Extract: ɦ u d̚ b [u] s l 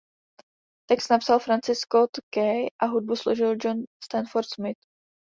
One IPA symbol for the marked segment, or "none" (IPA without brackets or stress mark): u